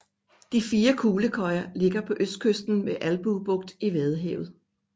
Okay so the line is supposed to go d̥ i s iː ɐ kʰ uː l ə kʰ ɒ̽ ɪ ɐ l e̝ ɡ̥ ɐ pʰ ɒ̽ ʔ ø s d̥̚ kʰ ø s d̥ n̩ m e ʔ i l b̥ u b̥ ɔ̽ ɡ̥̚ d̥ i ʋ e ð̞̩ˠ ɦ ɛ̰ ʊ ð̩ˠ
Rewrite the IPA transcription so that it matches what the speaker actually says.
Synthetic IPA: d̥ i f iː ɐ kʰ uː l ə kʰ ɒ̽ ɪ ɐ l e̝ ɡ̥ ɐ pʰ ɒ̽ ʔ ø s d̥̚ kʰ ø s d̥ n̩ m e ʔ æ l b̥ u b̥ ɔ̽ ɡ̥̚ d̥ i ʋ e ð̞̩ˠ ɦ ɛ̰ ʊ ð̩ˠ